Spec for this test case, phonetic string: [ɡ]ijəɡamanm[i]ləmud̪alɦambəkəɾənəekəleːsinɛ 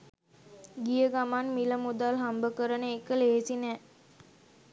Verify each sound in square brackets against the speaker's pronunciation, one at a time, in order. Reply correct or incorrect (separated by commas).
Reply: correct, correct